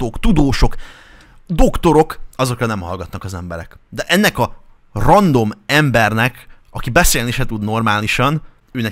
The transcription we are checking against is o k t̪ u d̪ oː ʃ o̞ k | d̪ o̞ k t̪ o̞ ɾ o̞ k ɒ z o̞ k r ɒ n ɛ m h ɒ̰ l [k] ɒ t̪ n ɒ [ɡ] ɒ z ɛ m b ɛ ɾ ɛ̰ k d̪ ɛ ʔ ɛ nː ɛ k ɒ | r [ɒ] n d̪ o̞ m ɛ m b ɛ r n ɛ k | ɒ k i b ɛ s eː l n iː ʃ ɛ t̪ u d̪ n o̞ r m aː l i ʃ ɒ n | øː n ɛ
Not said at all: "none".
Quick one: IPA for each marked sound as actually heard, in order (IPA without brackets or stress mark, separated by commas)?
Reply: ɡ, k, ɒ